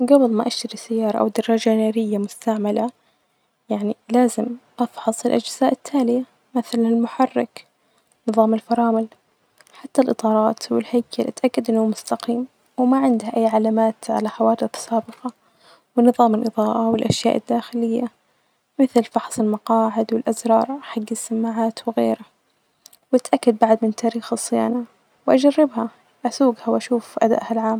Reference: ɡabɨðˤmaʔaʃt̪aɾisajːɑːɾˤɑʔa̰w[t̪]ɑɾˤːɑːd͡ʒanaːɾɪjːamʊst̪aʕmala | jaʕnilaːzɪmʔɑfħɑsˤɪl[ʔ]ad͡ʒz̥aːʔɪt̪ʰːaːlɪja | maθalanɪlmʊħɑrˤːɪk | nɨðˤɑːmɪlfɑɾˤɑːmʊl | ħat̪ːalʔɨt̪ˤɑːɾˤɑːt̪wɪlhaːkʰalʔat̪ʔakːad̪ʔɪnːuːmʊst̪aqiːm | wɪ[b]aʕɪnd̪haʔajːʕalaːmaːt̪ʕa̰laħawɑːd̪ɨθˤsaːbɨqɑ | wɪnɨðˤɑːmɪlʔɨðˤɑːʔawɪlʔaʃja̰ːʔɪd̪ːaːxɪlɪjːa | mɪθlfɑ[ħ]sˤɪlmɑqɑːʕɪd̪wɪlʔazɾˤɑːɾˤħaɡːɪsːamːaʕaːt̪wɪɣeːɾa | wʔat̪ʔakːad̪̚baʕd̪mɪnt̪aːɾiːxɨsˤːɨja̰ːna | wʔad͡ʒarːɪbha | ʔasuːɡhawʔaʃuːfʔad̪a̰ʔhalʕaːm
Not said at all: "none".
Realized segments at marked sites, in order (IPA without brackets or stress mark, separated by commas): d̪, ʔ, m, ħ